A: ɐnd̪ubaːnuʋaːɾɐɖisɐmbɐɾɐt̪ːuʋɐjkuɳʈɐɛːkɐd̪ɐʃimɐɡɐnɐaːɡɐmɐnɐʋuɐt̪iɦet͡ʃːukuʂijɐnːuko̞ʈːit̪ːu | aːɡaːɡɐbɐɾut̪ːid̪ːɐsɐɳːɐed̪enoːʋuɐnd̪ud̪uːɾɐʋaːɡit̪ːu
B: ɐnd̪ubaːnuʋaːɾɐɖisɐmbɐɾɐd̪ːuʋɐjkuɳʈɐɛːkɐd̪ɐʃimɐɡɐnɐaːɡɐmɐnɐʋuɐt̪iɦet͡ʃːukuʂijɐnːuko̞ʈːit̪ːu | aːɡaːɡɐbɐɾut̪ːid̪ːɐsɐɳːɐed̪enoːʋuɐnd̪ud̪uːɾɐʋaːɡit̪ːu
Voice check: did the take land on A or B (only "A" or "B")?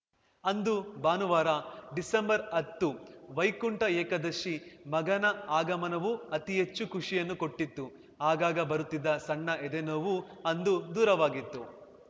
A